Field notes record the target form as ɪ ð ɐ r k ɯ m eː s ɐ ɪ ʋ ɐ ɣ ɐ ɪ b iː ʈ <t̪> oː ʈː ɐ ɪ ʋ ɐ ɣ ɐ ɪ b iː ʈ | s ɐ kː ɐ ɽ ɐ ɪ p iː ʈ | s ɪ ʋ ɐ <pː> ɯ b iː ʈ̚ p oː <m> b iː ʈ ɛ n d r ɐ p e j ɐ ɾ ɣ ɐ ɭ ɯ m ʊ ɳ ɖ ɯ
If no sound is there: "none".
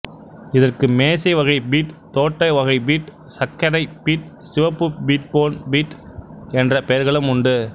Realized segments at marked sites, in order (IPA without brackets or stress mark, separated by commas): t̪, pː, n